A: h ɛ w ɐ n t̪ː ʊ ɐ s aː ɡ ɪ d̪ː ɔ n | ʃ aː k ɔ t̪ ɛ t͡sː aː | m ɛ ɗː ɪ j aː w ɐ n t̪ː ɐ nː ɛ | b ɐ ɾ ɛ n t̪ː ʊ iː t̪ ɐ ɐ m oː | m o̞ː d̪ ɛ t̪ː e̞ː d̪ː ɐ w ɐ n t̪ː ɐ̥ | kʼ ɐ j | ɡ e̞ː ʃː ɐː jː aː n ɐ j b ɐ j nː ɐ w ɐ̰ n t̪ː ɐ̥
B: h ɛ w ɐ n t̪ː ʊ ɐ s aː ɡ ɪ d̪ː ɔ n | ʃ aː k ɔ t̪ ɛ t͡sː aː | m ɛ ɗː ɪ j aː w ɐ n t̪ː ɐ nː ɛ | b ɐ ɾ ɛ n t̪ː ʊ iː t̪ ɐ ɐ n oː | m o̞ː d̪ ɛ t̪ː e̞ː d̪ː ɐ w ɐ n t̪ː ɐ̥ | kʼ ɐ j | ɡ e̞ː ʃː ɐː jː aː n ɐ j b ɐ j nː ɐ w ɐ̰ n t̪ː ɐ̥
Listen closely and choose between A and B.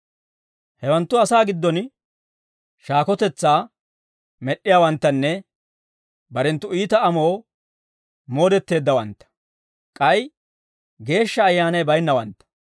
A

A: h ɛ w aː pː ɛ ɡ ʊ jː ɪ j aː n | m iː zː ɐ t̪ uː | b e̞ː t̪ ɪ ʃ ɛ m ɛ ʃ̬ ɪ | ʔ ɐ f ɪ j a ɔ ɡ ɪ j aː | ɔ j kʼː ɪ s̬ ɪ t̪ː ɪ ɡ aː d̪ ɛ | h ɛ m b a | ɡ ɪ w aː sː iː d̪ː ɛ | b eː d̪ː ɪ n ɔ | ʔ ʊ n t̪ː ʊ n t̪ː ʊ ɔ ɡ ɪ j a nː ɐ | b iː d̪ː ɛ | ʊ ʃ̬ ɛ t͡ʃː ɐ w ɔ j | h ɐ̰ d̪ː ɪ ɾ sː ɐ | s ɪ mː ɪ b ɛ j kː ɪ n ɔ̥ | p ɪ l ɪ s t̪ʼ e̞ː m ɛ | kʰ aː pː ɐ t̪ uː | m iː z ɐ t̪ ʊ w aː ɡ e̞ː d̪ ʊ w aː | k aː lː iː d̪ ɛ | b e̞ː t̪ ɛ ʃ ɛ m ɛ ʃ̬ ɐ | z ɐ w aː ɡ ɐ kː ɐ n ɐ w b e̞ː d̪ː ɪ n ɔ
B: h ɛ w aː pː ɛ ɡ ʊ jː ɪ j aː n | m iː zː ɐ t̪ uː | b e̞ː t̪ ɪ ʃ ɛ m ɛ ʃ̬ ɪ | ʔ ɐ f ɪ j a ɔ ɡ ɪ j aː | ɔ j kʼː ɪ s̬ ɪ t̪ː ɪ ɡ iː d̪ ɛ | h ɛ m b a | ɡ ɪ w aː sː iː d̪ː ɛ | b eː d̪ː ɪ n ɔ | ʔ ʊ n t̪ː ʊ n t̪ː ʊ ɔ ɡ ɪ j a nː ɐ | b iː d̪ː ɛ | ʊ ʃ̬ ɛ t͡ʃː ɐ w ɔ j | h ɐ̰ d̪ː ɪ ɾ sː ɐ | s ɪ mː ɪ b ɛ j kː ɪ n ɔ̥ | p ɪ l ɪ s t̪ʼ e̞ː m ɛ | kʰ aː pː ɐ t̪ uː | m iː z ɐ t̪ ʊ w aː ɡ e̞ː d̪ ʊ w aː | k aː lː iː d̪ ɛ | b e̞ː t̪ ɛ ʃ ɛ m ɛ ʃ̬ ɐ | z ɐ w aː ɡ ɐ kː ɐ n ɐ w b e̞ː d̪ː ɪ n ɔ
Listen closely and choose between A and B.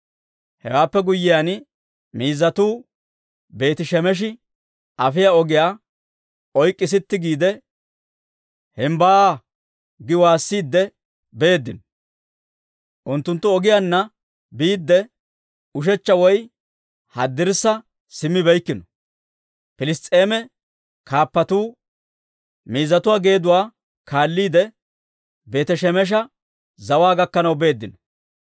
B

